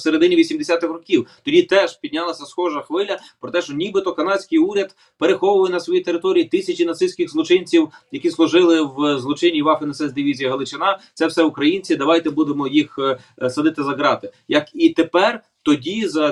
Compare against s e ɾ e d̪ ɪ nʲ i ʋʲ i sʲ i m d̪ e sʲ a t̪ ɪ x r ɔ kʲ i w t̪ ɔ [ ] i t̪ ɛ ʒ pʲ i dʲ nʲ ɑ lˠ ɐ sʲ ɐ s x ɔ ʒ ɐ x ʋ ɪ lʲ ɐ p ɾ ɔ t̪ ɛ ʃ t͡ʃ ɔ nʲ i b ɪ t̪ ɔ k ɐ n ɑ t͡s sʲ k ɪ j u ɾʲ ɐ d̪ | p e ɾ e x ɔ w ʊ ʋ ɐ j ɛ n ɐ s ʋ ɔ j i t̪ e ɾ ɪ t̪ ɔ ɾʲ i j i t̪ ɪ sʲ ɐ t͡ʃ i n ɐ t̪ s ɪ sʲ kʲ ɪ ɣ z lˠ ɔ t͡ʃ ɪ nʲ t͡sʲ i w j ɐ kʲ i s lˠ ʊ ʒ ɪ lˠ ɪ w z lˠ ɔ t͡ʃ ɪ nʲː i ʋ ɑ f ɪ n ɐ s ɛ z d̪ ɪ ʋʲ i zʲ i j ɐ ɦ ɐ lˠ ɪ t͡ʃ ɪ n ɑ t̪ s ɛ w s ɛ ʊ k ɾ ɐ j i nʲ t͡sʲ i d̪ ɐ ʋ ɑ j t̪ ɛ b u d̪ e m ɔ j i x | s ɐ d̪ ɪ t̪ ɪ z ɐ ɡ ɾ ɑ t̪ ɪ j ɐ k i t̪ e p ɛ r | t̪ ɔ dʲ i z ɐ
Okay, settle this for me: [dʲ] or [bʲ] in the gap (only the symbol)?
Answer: dʲ